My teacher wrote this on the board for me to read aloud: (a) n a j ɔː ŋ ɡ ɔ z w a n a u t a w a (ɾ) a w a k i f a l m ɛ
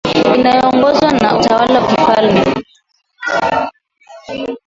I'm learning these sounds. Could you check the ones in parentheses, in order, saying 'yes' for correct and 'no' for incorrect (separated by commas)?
no, no